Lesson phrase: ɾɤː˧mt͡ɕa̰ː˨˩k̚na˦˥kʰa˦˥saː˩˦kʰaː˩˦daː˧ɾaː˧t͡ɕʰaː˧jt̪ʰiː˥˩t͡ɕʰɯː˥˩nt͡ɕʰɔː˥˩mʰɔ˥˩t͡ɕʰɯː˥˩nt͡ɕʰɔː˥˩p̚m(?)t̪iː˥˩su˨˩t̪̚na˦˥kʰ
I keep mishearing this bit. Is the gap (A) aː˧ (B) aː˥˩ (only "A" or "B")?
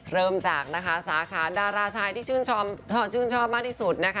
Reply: B